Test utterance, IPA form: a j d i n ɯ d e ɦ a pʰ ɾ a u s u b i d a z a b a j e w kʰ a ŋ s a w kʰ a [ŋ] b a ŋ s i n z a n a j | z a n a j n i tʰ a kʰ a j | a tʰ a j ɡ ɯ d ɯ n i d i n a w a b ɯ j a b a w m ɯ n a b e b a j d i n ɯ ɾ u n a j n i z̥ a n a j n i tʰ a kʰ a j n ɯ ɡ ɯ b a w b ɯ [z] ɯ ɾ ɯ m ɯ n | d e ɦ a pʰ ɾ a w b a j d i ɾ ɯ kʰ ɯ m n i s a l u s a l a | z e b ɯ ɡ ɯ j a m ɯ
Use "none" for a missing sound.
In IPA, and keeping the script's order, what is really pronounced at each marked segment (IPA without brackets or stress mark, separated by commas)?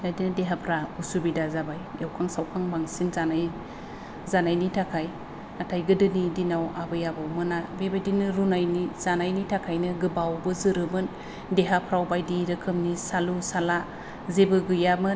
ŋ, z